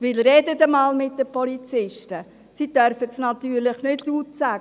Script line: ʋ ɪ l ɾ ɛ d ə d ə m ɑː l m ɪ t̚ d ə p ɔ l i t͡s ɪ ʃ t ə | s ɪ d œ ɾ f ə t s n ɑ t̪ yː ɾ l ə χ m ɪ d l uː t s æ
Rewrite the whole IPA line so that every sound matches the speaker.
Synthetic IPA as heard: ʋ ɪ l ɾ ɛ d ə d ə m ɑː l m ɪ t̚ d ə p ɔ l i t͡s ɪ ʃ t ə | s i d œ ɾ f ə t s n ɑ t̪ yː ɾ l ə χ n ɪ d l uː t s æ